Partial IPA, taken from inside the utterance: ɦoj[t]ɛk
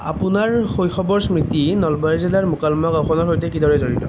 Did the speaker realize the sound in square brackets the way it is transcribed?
yes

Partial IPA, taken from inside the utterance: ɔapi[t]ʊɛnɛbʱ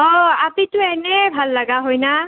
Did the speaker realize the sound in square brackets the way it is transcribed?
yes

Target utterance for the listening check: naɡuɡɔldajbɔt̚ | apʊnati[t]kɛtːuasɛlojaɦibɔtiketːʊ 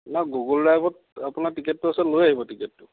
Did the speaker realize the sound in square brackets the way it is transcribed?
no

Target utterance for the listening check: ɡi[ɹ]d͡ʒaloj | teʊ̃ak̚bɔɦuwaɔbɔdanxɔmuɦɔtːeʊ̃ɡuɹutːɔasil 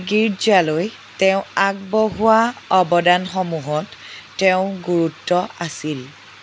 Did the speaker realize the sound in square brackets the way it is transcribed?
yes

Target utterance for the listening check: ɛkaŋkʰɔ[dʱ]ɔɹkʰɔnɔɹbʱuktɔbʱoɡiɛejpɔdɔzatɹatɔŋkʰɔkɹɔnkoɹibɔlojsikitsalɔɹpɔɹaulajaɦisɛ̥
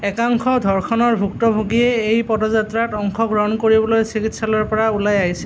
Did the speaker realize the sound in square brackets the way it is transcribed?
yes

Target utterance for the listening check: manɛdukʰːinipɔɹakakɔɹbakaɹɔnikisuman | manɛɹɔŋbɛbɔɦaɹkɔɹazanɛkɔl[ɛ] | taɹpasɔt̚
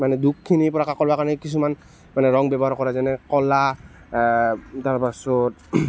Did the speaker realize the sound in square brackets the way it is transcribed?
no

